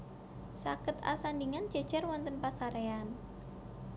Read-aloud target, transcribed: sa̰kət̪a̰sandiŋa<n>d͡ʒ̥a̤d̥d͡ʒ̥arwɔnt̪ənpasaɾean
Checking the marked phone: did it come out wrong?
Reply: no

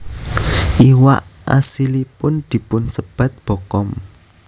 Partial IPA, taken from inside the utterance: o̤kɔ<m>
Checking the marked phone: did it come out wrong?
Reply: no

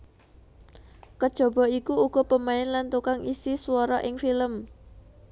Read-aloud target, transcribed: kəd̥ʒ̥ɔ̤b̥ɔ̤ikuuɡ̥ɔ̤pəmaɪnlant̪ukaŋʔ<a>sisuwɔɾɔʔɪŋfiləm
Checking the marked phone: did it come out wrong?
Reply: yes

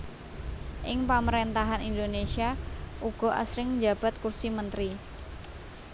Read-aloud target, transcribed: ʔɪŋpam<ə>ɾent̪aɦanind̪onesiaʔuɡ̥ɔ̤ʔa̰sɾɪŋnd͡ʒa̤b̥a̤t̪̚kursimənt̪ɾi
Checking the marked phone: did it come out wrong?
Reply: no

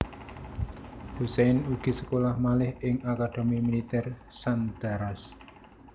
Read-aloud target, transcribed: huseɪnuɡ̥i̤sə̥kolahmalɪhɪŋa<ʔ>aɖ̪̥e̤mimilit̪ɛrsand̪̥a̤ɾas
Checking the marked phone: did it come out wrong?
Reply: yes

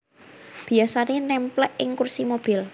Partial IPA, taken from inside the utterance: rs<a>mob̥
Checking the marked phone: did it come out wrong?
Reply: yes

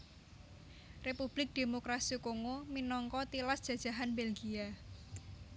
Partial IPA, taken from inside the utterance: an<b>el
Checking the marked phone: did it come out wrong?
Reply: no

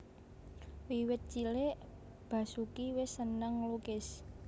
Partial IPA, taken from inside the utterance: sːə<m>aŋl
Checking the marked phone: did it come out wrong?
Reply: yes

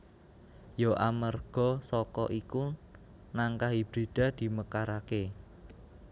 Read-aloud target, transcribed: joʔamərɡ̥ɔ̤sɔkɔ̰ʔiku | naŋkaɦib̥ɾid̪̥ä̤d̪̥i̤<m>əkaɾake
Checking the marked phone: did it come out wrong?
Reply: no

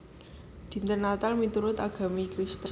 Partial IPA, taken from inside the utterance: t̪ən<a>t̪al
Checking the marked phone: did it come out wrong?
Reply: no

